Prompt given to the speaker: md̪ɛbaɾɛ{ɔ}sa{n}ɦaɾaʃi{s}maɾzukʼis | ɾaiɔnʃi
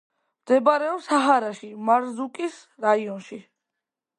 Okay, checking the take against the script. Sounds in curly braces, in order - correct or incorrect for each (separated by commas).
correct, incorrect, incorrect